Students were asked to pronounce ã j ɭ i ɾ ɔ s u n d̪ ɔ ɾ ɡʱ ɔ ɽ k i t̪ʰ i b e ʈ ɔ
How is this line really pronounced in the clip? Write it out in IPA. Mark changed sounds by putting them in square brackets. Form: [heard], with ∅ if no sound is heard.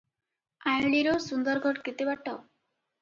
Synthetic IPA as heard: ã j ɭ i ɾ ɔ s u n d̪ ɔ ɾ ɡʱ ɔ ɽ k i [t̪] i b [a] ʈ ɔ